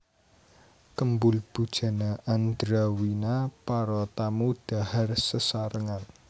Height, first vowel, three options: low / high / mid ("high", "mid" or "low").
mid